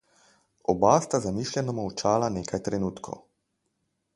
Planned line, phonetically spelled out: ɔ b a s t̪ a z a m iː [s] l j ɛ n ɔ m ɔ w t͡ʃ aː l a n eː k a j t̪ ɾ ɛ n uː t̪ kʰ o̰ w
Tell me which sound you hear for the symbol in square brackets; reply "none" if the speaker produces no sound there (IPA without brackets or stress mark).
ʃ